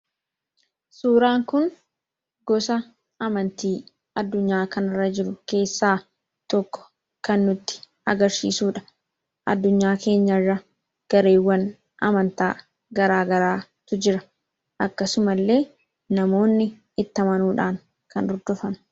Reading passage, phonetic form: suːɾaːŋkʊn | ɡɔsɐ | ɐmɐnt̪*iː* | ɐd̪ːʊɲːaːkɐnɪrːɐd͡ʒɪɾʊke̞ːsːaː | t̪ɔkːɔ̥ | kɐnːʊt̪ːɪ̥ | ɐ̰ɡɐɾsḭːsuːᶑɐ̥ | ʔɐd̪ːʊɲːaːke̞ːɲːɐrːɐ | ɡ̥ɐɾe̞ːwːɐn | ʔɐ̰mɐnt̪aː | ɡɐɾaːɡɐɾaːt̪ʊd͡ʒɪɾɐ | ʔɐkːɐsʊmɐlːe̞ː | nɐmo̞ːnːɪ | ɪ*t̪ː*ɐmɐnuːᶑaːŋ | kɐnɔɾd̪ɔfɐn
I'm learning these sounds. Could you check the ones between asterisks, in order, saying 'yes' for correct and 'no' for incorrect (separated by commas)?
yes, yes